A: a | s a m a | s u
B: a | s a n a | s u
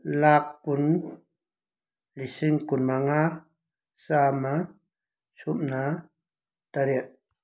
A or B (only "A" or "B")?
A